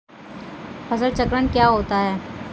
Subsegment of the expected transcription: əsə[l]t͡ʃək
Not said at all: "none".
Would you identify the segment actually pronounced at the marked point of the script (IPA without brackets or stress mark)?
l